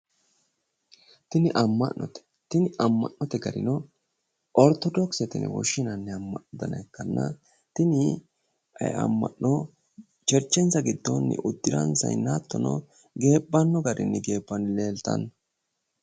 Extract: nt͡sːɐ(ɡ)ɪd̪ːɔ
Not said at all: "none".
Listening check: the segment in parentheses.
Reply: ɡ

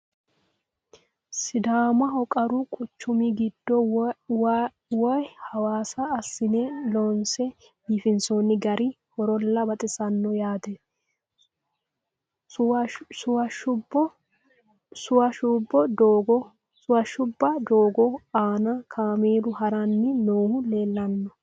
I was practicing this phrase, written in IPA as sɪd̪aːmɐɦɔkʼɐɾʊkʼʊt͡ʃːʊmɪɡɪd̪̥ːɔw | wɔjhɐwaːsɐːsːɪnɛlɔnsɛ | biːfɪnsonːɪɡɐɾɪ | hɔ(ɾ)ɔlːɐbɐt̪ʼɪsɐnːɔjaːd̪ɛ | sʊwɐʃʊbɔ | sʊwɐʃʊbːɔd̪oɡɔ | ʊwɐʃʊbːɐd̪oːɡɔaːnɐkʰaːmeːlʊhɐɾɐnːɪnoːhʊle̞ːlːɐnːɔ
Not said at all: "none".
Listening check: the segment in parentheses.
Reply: ɾ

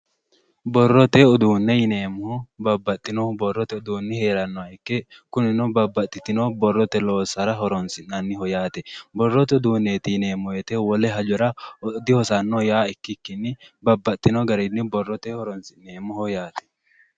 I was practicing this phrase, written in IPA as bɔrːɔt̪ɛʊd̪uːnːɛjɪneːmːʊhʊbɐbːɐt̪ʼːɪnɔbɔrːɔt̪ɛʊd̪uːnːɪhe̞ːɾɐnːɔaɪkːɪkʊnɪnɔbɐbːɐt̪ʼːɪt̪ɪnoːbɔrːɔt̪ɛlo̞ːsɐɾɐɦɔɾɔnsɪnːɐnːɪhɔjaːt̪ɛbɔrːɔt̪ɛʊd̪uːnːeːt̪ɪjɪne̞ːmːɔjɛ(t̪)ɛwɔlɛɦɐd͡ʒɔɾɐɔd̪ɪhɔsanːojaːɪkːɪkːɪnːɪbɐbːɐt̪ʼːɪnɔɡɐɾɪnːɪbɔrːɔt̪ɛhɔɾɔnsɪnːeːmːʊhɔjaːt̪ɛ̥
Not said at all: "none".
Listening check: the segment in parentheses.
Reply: t̪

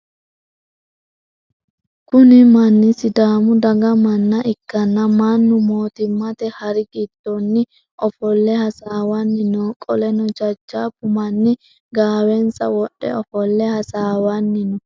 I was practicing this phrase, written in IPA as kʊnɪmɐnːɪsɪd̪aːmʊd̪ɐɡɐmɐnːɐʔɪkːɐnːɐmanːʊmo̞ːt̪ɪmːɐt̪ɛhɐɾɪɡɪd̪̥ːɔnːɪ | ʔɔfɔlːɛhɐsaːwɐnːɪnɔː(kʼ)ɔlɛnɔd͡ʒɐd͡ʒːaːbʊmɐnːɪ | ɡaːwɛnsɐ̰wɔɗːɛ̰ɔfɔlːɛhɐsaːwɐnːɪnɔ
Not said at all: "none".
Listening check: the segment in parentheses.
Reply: kʼ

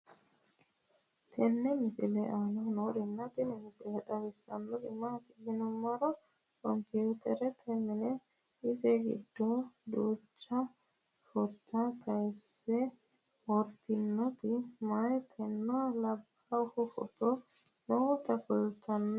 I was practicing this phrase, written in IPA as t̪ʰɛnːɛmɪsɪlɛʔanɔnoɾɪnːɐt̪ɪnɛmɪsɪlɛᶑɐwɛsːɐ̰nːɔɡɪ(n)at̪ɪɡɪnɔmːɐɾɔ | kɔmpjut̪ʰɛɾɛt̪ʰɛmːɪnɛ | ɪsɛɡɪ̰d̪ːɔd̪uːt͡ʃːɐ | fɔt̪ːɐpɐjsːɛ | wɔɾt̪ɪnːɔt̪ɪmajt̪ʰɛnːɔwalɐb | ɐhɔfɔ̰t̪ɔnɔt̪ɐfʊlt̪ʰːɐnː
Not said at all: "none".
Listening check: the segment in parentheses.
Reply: m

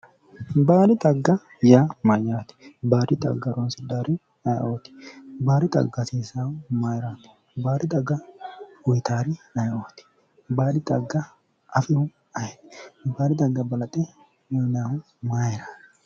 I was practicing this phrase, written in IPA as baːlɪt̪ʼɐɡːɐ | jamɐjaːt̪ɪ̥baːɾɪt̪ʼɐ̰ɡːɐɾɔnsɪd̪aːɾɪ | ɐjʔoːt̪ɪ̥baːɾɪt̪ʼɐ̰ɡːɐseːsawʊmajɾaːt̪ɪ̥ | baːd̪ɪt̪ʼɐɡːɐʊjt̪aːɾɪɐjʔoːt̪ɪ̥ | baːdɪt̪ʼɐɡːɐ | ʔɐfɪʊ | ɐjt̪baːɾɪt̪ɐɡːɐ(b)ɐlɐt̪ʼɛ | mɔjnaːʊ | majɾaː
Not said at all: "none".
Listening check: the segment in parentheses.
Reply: b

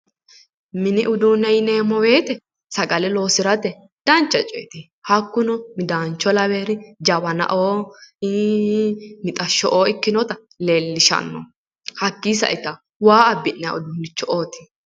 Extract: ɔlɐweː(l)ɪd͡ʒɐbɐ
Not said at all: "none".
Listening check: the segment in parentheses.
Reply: ɾ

